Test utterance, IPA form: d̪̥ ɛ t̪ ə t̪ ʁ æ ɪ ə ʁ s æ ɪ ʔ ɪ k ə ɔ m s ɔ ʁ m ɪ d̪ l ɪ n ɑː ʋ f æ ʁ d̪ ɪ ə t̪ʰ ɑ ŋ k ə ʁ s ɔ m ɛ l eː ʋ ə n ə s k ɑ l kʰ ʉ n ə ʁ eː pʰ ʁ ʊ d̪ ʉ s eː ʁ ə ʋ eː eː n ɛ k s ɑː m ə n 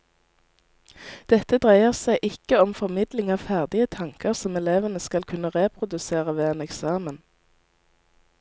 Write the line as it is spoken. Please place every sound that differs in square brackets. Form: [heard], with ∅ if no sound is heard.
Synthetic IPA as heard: d̪̥ ɛ t̪ ə [d̪] ʁ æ ɪ ə ʁ s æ ɪ ʔ ɪ k ə ɔ m [f] ɔ ʁ m ɪ d̪ l ɪ [ŋ] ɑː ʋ f æ ʁ d̪ ɪ ə t̪ʰ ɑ ŋ k ə ʁ s ɔ m ɛ l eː ʋ ə n ə s k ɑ l kʰ ʉ n ə ʁ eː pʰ ʁ ʊ d̪ ʉ s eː ʁ ə ʋ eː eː n ɛ k s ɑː m ə n